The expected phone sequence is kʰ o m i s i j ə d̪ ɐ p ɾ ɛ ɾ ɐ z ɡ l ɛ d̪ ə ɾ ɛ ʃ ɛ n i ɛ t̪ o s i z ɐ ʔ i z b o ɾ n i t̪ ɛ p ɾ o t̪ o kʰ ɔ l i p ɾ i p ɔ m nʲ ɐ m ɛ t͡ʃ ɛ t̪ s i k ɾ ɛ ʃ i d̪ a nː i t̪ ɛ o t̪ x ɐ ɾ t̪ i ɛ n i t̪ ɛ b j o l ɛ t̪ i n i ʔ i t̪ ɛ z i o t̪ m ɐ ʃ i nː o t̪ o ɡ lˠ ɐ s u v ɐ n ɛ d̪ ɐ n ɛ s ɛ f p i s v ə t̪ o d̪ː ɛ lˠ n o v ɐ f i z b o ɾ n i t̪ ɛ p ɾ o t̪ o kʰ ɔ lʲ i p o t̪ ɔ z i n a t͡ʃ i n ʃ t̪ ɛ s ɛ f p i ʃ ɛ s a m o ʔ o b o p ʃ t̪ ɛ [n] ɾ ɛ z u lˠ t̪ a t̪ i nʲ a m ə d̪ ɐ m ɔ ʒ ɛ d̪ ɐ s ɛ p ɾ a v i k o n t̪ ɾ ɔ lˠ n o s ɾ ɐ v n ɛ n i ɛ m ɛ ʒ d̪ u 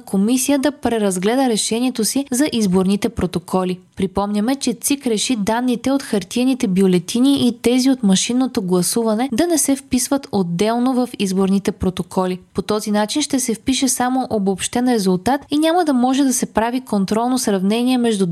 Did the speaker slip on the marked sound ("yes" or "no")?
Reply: no